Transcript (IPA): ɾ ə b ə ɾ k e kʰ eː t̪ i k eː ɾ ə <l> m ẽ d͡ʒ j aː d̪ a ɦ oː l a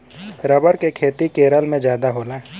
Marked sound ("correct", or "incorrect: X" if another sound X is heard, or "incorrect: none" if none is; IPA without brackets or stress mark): correct